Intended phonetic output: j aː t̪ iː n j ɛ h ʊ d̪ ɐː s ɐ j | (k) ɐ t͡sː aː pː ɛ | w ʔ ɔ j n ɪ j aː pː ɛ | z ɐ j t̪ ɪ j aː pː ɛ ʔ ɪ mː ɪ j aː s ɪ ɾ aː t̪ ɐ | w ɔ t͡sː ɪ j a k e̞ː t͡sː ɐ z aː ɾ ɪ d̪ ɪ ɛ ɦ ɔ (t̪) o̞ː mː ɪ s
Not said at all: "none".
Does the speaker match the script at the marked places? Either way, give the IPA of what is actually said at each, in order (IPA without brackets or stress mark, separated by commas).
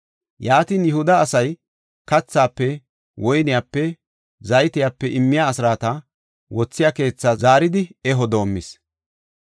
k, d̪